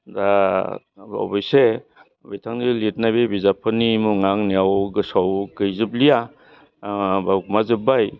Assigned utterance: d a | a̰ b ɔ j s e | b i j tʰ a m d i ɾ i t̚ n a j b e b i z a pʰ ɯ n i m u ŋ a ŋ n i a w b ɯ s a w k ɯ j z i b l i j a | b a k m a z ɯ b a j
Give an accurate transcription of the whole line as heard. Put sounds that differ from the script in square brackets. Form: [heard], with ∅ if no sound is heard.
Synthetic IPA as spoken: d a | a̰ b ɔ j s e | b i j tʰ a [ŋ] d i [l] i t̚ n a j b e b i z a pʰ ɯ n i m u ŋ a ŋ n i a w [ɡ] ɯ s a w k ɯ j z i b l i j a | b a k m a z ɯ b a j

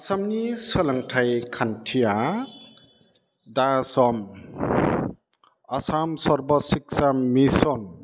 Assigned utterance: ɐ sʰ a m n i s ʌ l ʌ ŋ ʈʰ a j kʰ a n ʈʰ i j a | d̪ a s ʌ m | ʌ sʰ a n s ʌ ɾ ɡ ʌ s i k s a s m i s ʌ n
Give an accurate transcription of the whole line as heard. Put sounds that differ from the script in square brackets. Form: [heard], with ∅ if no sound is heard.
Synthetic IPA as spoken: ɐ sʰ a m n i s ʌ l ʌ ŋ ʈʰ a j kʰ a n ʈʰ i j a | d̪ a s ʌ m | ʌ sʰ a [m] s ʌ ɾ [b] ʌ s i k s a [∅] m i s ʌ n

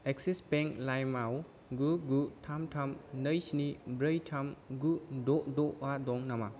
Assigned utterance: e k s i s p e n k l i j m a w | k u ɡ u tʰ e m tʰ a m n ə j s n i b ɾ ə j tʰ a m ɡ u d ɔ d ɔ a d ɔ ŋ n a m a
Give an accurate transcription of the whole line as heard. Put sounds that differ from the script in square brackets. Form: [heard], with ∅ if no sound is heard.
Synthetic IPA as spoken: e k s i s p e [ŋ] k l [a] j m a w | [ɡ] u ɡ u tʰ [a] m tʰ a m n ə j s n i b ɾ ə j tʰ a m ɡ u d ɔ d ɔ a d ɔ ŋ n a m a

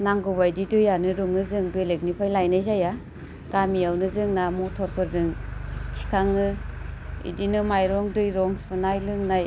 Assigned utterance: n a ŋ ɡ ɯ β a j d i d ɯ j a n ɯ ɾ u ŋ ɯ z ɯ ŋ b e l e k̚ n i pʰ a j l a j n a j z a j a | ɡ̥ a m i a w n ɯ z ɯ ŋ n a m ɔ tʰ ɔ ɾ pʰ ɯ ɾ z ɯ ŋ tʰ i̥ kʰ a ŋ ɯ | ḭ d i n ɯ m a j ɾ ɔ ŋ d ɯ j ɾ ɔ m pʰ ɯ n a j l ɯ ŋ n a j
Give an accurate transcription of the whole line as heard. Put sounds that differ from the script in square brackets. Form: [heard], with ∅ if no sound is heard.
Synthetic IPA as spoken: n a ŋ ɡ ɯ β a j d i d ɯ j a n ɯ ɾ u ŋ ɯ z ɯ ŋ b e l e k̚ n i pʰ a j l a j n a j z a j a | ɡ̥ a m i a w n ɯ z ɯ ŋ n a m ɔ tʰ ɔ ɾ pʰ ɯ ɾ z ɯ ŋ tʰ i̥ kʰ a ŋ ɯ | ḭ d i n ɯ m a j ɾ ɔ ŋ d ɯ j ɾ ɔ [ŋ] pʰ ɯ n a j l ɯ ŋ n a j

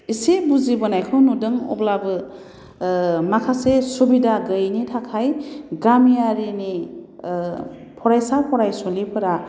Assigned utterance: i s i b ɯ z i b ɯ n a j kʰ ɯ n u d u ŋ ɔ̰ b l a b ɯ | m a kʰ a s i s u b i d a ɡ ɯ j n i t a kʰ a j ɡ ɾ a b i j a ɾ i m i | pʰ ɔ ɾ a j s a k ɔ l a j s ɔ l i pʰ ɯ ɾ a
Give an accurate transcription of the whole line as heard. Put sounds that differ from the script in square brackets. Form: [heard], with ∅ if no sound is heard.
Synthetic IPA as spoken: i s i b [u] z i b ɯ n a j kʰ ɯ n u d [ɯ] ŋ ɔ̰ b l a b ɯ | m a kʰ a s [e] s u b i d a ɡ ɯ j n i [tʰ] a kʰ a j ɡ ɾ a [m] i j a ɾ i [n] i | pʰ ɔ ɾ a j s a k ɔ [ɾ] a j s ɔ l i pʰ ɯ ɾ a

